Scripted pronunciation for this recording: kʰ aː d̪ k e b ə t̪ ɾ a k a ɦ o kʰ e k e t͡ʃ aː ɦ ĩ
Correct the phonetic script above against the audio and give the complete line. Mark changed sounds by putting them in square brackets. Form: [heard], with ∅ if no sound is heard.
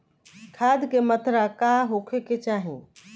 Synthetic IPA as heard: kʰ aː d̪ k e [m] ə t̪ ɾ a k a ɦ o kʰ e k e t͡ʃ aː ɦ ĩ